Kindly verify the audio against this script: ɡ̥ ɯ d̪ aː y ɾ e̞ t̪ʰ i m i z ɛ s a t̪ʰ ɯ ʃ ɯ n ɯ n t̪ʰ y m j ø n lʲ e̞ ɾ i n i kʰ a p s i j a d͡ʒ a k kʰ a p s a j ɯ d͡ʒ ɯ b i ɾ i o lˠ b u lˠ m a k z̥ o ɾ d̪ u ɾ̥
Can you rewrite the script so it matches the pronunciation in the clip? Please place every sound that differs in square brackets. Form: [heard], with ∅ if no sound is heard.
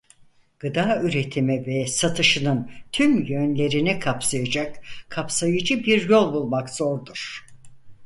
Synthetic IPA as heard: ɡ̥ ɯ d̪ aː y ɾ e̞ t̪ʰ i m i [v] ɛ s a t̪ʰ ɯ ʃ ɯ n ɯ n t̪ʰ y m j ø n lʲ e̞ ɾ i n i kʰ a p s [a] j a d͡ʒ a k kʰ a p s a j ɯ d͡ʒ ɯ b i ɾ [j] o lˠ b u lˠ m a k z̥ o ɾ d̪ u ɾ̥